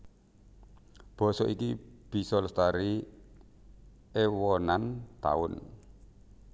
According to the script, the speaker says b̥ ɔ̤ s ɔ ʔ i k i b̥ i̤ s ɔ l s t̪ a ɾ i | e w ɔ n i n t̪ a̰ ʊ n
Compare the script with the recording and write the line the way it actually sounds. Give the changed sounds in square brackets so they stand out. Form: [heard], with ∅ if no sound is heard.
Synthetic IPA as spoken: b̥ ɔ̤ s ɔ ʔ i k i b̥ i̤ s ɔ l s t̪ a ɾ i | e w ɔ n [a] n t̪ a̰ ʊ n